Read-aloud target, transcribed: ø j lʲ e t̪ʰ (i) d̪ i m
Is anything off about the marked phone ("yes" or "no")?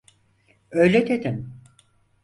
yes